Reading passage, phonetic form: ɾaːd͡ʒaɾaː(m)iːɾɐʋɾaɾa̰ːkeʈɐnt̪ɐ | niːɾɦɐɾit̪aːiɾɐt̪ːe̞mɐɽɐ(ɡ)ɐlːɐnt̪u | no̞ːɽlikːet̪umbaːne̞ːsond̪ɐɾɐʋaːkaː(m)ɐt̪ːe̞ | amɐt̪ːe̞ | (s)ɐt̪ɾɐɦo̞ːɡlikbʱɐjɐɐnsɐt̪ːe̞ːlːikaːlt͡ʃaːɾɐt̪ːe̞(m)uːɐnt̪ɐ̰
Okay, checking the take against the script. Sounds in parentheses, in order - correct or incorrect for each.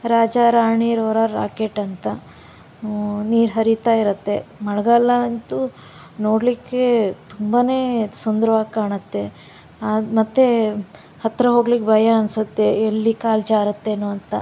incorrect: ɳ, correct, incorrect: ɳ, incorrect: h, incorrect: n

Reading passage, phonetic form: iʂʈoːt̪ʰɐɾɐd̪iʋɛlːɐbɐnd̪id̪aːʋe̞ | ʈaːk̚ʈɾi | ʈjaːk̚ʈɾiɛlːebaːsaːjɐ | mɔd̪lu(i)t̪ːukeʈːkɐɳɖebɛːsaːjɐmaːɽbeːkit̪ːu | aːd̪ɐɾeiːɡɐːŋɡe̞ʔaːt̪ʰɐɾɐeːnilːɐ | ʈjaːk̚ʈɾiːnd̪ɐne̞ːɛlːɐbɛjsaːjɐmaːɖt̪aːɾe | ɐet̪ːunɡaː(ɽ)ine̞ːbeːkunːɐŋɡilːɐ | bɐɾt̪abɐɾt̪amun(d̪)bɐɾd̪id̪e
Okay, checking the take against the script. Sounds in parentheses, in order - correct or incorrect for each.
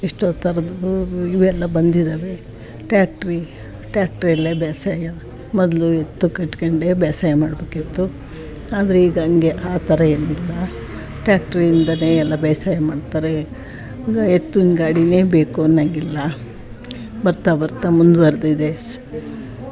incorrect: e, correct, correct

